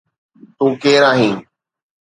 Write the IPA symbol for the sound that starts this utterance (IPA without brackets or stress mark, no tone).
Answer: t̪